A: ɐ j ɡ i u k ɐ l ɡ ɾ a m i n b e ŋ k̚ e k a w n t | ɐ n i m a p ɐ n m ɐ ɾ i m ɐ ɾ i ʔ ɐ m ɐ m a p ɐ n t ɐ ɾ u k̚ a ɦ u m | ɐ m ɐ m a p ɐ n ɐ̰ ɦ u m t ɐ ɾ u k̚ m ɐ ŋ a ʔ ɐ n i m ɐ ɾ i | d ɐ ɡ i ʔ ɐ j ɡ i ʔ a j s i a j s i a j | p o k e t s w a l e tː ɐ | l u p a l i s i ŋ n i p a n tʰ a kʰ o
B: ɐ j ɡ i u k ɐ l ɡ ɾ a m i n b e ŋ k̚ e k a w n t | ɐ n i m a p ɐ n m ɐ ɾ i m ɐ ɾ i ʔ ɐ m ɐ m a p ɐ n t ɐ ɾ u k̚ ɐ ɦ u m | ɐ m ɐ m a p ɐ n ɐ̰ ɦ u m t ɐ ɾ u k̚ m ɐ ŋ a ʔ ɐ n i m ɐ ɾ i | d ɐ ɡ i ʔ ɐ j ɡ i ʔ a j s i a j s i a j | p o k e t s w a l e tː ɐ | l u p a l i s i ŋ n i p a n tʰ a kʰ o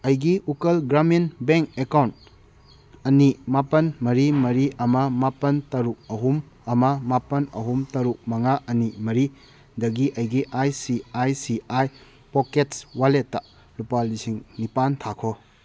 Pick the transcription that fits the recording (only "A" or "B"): B